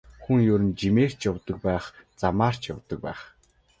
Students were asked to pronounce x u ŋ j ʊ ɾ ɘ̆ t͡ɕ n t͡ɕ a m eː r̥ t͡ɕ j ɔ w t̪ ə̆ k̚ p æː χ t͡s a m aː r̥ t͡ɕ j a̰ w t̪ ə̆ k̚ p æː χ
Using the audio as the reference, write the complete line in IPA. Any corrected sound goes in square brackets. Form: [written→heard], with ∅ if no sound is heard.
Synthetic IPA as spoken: x u ŋ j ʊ ɾ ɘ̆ [t͡ɕ→∅] n t͡ɕ [a→i] m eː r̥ t͡ɕ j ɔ w t̪ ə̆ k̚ p æː χ t͡s a m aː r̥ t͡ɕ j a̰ w t̪ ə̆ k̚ p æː χ